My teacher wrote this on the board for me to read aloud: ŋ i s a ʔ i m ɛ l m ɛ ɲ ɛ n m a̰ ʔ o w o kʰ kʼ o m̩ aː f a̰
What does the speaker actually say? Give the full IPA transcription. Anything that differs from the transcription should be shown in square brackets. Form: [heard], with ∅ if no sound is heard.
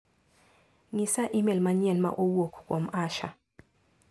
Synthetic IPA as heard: ŋ i s a ʔ i m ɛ l m [a] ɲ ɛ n m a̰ ʔ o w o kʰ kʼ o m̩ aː [ʃ] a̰